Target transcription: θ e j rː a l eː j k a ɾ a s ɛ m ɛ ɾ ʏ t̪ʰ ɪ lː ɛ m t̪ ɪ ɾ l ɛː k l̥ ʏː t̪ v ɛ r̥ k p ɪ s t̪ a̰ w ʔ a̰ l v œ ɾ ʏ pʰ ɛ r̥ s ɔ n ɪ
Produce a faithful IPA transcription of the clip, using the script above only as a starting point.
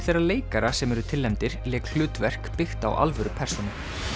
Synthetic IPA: θ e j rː a l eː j k a ɾ a s ɛ m ɛ ɾ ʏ t̪ʰ ɪ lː ɛ m t̪ ɪ ɾ l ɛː k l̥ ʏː t̪ v ɛ r̥ k p ɪ x t̪ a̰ w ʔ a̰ l v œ ɾ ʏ pʰ ɛ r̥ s ɔ n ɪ